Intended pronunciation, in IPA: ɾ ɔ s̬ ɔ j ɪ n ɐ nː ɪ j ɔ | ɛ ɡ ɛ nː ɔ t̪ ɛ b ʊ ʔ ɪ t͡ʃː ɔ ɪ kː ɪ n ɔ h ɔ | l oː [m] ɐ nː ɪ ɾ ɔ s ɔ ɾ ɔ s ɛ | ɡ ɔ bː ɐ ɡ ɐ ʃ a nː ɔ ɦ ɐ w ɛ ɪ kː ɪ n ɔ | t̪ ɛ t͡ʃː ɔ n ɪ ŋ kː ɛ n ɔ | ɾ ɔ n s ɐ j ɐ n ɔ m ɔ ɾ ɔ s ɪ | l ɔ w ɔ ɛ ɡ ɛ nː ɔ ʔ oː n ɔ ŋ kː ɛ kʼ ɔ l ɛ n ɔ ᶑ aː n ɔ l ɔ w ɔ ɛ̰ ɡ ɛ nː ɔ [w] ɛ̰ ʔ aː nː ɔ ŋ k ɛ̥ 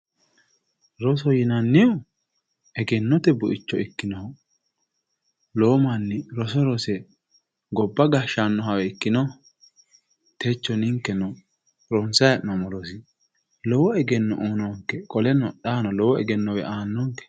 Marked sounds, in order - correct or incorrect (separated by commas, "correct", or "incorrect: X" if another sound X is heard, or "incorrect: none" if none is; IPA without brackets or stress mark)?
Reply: correct, correct